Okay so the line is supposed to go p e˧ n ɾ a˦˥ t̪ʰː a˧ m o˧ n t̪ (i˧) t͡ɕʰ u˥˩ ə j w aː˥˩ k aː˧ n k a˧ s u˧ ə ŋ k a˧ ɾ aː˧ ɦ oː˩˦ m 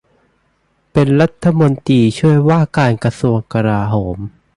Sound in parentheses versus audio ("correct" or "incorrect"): incorrect